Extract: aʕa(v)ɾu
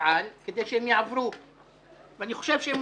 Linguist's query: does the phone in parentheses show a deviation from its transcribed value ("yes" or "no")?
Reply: no